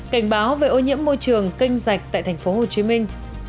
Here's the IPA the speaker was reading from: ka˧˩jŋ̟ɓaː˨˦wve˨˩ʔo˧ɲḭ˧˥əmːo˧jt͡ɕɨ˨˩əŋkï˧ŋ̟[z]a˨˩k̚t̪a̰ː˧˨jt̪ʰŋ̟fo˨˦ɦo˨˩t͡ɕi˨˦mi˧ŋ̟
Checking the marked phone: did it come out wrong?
no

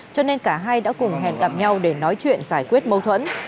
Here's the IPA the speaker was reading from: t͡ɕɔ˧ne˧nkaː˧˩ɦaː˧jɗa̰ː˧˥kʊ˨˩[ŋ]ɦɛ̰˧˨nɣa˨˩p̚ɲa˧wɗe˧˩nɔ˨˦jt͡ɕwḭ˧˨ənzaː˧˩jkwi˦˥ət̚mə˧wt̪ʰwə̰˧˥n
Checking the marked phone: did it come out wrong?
yes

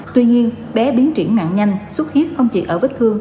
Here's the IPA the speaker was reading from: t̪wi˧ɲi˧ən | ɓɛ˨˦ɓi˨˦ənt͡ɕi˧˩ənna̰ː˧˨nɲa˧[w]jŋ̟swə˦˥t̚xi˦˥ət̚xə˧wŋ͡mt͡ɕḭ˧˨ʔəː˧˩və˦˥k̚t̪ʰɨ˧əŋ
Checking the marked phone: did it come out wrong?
yes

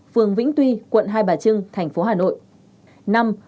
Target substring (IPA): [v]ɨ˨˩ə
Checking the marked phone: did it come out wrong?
yes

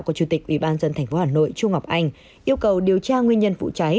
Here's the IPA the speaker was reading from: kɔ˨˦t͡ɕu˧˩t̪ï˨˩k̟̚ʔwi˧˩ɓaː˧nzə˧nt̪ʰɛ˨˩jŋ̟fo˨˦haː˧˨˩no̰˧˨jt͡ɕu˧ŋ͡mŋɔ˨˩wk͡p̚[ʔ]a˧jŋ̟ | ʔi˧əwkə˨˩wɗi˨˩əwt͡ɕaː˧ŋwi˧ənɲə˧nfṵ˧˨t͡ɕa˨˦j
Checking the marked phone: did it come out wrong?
no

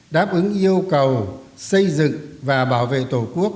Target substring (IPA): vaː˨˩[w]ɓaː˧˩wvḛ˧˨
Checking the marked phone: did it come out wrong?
yes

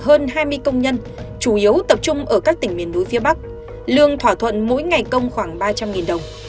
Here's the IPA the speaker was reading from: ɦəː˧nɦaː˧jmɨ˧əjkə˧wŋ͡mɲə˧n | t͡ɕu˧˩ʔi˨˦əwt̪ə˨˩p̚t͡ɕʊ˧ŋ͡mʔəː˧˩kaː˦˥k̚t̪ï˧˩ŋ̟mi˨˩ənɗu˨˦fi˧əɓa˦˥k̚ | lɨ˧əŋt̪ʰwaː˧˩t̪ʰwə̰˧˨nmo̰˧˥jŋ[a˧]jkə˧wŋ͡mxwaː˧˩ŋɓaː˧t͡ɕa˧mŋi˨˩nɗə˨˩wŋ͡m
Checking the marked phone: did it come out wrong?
yes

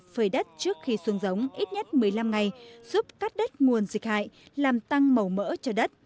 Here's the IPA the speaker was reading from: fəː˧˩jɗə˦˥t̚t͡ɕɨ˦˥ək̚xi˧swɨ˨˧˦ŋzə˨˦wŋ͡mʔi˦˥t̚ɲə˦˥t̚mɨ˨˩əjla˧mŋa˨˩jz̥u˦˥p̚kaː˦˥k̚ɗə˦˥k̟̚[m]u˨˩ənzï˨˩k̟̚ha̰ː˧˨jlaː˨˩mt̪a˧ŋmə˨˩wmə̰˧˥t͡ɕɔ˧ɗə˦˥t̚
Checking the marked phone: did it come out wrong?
yes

